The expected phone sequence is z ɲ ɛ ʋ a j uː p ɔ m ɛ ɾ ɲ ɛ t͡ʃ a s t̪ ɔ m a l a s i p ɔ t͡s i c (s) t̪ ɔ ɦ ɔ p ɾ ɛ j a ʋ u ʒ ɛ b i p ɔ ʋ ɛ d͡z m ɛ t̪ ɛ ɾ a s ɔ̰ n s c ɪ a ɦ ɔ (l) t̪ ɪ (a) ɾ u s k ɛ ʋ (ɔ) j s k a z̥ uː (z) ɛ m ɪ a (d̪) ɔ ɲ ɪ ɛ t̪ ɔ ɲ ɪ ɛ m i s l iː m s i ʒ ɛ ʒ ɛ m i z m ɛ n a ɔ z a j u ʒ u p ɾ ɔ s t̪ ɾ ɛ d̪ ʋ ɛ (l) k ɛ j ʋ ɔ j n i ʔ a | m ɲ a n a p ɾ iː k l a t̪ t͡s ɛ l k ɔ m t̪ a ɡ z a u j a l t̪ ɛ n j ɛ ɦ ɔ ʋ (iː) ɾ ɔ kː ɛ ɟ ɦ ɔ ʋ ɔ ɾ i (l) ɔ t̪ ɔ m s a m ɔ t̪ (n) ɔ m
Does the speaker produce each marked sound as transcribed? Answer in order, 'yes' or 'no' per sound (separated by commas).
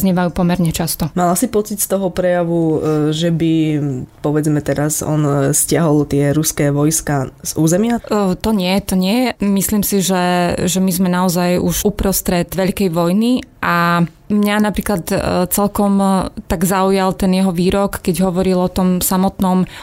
yes, yes, no, yes, yes, no, no, yes, yes, yes